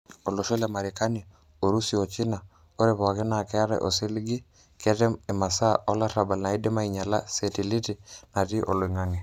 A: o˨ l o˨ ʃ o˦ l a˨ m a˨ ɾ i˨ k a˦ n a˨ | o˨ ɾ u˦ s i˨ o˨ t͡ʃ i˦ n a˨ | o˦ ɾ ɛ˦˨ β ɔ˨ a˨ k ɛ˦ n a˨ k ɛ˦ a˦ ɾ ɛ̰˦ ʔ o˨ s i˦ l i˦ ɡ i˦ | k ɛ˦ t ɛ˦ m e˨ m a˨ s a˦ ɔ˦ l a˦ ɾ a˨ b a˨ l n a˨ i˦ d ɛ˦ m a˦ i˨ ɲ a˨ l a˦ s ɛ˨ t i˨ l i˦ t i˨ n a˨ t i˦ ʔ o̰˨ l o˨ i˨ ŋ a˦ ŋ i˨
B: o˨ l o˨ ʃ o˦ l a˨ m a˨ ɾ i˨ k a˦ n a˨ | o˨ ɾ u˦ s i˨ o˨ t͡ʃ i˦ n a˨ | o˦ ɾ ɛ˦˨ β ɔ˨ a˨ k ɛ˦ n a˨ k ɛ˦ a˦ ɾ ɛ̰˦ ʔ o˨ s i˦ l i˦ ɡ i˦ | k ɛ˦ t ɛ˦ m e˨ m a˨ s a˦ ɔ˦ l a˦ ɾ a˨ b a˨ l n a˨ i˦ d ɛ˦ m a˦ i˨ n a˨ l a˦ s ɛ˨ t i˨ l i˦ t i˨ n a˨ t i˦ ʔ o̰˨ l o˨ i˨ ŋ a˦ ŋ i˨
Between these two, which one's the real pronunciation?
A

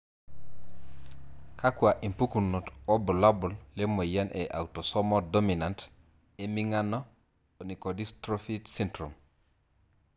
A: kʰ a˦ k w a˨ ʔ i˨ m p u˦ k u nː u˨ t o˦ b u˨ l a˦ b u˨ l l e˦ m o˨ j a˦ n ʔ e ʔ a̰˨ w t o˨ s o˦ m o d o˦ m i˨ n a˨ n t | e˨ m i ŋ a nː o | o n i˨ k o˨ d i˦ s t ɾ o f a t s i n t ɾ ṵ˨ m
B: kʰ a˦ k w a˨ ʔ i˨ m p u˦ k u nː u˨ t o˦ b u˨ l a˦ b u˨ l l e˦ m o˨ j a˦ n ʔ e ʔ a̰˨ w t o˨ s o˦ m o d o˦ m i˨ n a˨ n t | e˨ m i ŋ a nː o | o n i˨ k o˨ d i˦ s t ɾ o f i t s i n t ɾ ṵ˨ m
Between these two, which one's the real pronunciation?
B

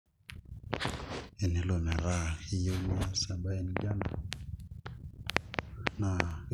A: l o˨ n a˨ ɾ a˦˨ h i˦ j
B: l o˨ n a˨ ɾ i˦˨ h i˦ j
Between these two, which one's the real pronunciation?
A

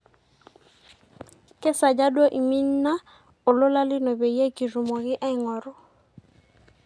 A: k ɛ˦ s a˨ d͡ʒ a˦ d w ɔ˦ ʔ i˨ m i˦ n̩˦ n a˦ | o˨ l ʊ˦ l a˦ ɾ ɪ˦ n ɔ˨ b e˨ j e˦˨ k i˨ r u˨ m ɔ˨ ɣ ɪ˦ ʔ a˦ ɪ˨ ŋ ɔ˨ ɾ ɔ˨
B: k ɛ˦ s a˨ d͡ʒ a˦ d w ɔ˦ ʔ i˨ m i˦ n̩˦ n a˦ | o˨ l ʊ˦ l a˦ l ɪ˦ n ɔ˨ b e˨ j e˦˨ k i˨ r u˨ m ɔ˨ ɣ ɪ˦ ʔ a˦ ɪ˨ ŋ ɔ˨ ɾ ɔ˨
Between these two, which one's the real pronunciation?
B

